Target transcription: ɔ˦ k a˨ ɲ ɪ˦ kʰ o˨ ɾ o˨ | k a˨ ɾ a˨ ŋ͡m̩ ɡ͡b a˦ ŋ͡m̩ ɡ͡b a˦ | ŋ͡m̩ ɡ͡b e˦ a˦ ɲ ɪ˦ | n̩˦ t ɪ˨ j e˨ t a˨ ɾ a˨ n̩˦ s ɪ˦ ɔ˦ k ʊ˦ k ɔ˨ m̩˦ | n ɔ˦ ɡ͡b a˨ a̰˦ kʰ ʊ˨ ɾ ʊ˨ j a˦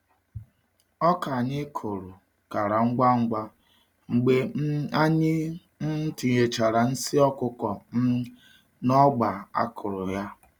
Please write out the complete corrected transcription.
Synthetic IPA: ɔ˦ k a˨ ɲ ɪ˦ kʰ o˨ ɾ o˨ | k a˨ ɾ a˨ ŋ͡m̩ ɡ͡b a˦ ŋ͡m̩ ɡ͡b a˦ | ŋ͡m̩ ɡ͡b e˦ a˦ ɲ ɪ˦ | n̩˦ t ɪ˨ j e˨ t͡ʃ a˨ ɾ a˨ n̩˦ s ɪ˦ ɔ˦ k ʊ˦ k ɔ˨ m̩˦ | n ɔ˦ ɡ͡b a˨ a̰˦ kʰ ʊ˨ ɾ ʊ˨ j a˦

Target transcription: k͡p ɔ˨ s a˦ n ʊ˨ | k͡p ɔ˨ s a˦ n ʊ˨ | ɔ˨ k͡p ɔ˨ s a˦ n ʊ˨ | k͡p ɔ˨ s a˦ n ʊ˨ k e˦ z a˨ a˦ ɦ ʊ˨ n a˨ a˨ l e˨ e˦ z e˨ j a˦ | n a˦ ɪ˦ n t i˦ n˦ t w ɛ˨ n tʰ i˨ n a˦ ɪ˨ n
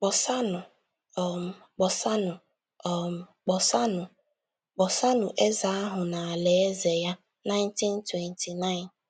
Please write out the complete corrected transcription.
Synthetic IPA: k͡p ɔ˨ s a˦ n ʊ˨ | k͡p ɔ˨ s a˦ n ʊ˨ | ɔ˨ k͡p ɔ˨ s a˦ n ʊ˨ | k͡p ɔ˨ s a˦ n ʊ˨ ʔ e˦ z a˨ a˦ ɦ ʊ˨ n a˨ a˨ l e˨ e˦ z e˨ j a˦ | n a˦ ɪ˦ n t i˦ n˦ t w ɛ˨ n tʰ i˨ n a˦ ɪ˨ n

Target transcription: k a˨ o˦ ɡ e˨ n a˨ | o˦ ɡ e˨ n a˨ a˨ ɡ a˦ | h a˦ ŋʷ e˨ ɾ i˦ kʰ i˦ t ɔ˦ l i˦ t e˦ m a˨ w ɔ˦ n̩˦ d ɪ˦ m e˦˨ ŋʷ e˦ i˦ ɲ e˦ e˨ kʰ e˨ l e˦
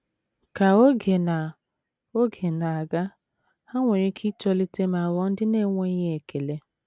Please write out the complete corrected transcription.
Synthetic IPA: k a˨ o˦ ɡ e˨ n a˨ | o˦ ɡ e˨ n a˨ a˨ ɡ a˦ | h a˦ ŋʷ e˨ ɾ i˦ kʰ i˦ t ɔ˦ l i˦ t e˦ m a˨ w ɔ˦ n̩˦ d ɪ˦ n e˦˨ ŋʷ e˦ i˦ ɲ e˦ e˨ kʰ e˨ l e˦

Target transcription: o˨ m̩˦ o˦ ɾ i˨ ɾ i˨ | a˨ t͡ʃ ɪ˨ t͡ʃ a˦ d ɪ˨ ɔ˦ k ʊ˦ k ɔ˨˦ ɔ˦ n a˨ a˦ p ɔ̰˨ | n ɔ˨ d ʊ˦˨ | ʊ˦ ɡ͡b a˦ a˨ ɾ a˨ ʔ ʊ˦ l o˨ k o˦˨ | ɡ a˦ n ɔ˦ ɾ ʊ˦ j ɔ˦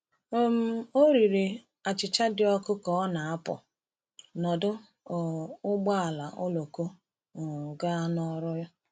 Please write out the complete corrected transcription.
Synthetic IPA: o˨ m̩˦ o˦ ɾ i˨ ɾ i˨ | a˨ t͡ʃ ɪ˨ t͡ʃ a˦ d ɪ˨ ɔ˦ k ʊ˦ k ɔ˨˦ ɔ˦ n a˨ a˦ p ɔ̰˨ | n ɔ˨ d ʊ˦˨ | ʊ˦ ɡ͡b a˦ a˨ l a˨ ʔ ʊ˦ l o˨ k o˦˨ | ɡ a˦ n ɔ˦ ɾ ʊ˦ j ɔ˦

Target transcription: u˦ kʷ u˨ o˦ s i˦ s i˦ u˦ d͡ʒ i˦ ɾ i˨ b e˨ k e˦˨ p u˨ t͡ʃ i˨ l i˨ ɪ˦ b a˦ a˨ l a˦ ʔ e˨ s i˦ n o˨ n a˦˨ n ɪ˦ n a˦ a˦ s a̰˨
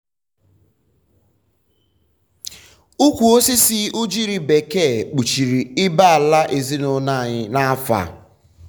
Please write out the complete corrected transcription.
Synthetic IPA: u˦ kʷ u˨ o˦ s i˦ s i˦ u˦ d͡ʒ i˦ ɾ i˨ b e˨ k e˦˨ k͡p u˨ t͡ʃ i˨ ɾ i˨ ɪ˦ b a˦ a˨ l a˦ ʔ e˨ z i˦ n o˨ n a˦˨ ɲ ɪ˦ n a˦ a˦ f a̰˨

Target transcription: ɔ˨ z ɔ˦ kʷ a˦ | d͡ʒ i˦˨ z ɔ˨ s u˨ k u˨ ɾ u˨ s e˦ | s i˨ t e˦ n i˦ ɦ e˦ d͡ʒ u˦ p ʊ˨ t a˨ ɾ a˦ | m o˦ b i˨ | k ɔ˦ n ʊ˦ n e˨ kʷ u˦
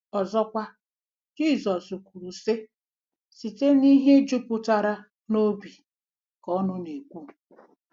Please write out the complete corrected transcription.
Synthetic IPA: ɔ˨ z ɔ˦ kʷ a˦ | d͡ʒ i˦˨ z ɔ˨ s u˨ k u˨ ɾ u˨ s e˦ | s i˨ t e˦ n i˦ ɦ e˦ d͡ʒ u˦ p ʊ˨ t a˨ ɾ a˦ | n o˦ b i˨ | k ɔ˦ n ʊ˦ n e˨ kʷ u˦

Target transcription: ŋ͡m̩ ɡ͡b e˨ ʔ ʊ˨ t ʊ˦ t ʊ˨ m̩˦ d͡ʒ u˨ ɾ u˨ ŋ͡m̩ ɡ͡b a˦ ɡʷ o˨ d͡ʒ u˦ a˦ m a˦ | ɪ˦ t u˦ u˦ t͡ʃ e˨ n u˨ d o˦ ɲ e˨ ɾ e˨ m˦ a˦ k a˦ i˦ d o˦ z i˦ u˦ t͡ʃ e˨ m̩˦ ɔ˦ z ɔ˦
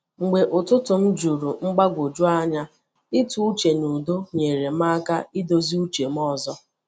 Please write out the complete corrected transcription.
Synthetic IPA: ŋ͡m̩ ɡ͡b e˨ ʔ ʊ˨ t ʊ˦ t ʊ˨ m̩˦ d͡ʒ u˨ ɾ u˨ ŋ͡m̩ ɡ͡b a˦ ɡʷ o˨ d͡ʒ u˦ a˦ ɲ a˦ | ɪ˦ t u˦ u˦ t͡ʃ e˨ n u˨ d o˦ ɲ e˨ ɾ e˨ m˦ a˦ k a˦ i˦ d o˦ z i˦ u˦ t͡ʃ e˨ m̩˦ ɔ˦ z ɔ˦

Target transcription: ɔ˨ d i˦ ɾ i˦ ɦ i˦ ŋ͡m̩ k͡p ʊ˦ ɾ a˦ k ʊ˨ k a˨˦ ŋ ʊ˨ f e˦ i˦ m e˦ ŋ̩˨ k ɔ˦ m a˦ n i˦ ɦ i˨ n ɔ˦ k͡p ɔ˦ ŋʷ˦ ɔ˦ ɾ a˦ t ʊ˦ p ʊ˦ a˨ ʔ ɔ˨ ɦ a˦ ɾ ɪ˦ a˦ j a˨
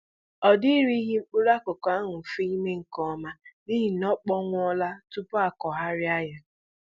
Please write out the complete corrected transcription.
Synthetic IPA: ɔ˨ d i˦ ɾ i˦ ɦ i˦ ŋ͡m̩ k͡p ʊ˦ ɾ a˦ k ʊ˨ k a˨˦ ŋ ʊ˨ f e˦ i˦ m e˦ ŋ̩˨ k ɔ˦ m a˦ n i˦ ɦ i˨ n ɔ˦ k͡p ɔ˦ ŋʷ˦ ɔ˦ l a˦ t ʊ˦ p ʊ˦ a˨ k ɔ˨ ɦ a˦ ɾ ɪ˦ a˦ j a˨

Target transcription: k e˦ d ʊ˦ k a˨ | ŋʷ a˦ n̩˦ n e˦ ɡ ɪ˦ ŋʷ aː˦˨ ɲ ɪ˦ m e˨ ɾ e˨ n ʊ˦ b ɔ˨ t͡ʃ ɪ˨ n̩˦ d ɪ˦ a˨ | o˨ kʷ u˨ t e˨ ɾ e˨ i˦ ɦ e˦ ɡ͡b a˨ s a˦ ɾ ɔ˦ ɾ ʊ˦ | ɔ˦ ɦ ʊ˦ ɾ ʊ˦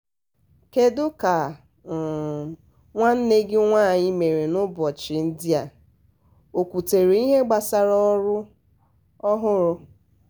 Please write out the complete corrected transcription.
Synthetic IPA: k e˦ d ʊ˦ k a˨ | ŋʷ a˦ n̩˦ n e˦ ɡ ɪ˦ ŋʷ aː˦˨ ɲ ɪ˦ m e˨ ɾ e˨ n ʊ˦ b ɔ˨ t͡ʃ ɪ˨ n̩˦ d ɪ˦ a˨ | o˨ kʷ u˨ t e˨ ɾ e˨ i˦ ɦ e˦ ɡ͡b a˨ s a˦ ɾ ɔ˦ ɾ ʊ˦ | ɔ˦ ɦ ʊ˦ ɾ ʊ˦

